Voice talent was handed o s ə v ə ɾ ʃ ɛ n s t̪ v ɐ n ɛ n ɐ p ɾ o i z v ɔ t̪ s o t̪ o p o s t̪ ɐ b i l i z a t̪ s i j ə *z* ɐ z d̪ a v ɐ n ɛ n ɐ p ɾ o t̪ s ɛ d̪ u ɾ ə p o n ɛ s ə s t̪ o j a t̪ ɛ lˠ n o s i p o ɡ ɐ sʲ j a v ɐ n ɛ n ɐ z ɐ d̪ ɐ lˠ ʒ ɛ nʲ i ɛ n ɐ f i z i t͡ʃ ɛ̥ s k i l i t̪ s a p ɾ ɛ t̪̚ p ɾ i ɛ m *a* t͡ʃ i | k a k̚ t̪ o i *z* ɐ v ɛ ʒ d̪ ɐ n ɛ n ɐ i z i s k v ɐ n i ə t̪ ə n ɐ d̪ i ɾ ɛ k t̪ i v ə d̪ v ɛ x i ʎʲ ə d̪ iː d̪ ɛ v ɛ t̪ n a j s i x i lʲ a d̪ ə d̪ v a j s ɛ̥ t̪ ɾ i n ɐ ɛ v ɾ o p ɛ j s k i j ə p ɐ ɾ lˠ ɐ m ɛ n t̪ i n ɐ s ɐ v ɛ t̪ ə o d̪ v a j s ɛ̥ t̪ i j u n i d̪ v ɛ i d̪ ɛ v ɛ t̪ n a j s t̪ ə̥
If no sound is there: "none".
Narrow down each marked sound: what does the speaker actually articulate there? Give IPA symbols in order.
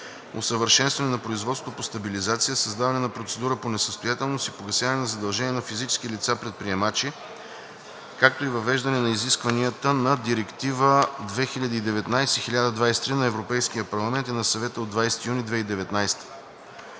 s, a, v

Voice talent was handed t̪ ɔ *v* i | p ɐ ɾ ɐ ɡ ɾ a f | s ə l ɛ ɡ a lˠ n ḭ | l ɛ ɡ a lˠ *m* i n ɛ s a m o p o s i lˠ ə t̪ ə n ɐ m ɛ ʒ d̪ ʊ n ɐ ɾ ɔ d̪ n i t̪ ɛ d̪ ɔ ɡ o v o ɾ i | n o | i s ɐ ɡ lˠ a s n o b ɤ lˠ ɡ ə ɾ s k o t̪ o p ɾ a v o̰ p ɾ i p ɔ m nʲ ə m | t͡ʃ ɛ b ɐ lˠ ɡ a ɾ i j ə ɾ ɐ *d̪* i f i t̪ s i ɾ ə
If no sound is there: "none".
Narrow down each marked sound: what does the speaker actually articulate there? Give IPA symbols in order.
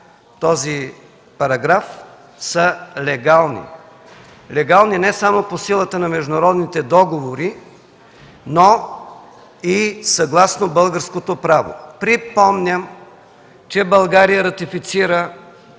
z, n, t̪

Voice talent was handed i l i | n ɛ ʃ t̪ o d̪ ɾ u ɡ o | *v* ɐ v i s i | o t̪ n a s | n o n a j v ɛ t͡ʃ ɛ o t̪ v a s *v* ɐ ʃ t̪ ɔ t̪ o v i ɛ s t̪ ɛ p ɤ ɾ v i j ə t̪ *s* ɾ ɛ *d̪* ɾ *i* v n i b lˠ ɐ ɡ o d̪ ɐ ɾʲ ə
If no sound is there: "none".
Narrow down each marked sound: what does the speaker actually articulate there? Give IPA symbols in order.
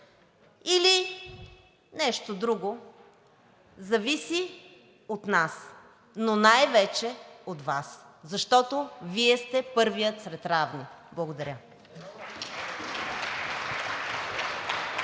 z, z, s, t̪, a

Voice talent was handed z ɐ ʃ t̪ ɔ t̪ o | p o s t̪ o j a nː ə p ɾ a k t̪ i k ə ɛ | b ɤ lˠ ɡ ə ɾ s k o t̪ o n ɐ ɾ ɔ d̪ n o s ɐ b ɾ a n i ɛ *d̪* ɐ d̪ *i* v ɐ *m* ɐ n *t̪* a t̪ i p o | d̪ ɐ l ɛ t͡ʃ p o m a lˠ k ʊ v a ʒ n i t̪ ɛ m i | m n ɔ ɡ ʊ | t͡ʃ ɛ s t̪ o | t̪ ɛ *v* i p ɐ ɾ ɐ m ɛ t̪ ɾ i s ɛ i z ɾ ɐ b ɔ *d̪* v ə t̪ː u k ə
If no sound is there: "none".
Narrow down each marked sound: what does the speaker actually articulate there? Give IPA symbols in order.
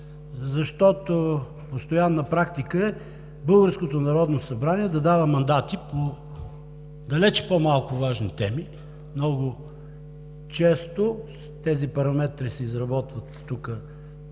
d̪, a, m, d̪, z, t̪

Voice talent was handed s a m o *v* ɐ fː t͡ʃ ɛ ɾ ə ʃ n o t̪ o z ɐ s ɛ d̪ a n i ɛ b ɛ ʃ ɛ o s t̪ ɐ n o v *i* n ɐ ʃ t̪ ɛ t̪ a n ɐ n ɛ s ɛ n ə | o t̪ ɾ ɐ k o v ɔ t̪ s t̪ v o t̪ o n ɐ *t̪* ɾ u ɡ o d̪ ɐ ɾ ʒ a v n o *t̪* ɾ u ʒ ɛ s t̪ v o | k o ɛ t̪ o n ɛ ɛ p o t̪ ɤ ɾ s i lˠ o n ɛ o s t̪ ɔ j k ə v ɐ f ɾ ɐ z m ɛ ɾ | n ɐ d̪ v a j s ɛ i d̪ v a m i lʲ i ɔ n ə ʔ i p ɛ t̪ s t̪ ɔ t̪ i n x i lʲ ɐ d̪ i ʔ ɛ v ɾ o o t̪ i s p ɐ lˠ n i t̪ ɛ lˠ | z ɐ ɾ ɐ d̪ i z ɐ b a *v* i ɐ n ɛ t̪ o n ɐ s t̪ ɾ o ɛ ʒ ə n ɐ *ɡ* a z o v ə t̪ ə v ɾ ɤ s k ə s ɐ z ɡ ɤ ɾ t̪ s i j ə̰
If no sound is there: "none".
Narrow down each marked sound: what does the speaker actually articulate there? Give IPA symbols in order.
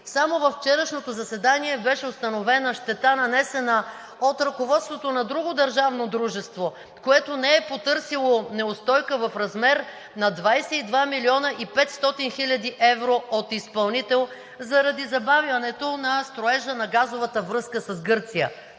v, ɛ, d̪, d̪, v, ɡ

